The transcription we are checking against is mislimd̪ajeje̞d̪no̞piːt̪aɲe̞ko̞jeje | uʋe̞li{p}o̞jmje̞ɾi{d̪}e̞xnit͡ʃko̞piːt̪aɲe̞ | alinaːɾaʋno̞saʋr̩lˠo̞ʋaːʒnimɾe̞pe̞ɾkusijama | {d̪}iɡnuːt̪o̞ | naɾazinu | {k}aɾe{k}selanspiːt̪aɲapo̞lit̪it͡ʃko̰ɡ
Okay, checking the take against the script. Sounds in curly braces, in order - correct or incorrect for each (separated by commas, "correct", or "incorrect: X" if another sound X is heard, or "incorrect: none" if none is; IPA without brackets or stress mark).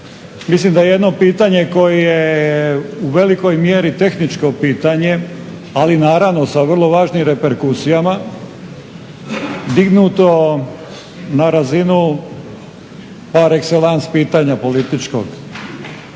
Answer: incorrect: k, incorrect: t̪, correct, incorrect: p, correct